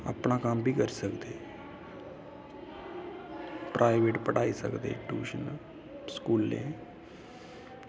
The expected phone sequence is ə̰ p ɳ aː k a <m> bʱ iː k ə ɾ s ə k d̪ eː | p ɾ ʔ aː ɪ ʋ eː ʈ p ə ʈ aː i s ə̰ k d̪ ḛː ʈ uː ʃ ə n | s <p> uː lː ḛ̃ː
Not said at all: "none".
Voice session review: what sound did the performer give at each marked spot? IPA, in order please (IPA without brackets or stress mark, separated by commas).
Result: m, k